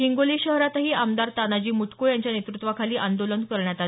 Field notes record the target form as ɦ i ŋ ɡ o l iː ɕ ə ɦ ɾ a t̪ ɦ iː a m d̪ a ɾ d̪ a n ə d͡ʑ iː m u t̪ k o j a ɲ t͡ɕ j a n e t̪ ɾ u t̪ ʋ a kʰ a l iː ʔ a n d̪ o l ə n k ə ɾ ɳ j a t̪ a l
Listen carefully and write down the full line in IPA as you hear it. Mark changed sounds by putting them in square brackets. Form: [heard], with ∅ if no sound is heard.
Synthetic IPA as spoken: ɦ i ŋ ɡ o l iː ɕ ə ɦ ɾ a t̪ ɦ iː a m d̪ a ɾ [t̪] a n [a] d͡ʑ iː m u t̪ k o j a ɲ t͡ɕ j a n e t̪ ɾ u t̪ ʋ a kʰ a l iː ʔ a n d̪ o l ə n k ə ɾ ɳ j a t̪ a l